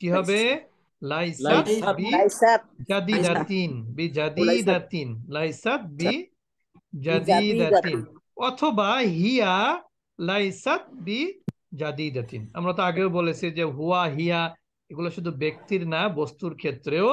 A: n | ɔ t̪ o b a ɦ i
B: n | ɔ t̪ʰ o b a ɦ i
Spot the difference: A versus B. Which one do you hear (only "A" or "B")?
B